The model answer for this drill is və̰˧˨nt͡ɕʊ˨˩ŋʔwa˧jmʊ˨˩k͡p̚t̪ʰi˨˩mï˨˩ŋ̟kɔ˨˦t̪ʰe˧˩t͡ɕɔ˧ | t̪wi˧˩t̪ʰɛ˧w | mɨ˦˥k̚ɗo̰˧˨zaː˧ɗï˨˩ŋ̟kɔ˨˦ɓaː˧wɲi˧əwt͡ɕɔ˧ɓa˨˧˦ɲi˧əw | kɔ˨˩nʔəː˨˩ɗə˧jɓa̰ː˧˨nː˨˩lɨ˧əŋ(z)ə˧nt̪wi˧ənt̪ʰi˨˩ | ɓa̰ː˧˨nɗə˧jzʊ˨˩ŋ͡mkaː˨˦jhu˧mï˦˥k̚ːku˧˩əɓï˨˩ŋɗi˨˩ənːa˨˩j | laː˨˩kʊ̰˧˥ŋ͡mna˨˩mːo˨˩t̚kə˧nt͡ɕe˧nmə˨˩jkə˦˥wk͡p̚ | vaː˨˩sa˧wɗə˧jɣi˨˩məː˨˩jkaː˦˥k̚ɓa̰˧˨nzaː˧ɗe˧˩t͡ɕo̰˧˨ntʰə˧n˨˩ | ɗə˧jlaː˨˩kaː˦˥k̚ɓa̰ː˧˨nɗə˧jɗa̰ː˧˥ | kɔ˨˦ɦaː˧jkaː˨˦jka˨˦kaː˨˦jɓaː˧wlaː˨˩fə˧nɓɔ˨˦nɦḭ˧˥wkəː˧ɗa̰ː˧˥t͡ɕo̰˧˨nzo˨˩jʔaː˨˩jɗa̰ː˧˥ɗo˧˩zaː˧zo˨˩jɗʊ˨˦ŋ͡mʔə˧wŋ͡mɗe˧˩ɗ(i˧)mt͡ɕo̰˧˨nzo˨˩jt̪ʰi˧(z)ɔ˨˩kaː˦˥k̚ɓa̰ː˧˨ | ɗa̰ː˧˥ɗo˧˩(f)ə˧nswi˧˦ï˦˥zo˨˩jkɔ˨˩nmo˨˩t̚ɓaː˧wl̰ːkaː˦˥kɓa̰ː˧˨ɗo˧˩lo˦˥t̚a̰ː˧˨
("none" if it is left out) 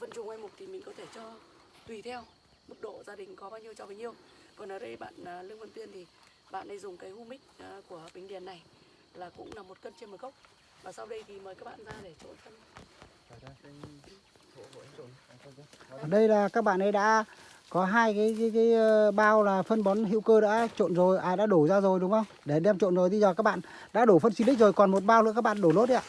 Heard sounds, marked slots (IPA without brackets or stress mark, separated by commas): v, ɛ˧, z, f